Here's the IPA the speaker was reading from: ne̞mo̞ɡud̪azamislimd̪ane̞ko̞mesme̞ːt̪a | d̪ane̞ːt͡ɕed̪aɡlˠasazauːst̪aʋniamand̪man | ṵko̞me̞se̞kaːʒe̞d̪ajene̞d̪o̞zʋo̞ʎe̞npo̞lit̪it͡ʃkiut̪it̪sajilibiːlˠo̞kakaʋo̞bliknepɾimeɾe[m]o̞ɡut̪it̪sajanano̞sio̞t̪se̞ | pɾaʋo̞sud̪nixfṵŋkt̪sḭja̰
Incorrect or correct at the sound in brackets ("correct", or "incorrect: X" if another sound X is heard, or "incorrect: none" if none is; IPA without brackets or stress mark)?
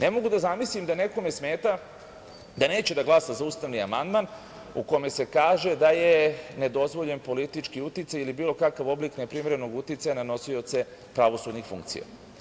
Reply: incorrect: n